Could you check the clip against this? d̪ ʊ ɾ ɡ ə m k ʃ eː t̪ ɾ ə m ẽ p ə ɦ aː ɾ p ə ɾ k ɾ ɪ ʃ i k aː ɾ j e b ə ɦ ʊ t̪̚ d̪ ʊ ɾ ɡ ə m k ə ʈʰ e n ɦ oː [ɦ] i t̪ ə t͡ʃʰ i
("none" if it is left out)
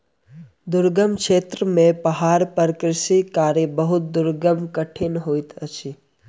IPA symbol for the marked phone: none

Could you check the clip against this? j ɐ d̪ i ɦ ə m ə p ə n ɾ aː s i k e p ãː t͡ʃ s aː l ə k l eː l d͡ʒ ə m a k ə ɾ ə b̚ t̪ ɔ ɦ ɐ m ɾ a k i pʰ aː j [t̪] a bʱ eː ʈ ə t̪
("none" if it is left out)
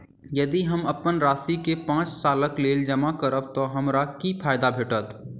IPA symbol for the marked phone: d̪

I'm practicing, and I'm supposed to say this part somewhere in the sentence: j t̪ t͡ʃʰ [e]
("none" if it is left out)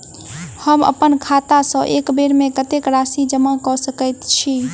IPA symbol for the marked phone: i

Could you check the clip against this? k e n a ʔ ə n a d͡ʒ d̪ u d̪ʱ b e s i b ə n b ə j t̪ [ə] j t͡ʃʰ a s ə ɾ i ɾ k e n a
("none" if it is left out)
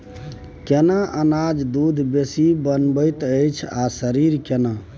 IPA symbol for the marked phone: ə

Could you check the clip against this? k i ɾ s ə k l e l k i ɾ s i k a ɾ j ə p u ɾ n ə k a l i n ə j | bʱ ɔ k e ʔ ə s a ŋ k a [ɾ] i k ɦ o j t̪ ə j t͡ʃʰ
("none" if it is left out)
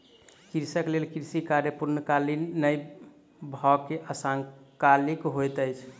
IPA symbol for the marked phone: l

